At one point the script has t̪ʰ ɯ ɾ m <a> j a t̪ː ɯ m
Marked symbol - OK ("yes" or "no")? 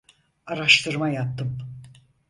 yes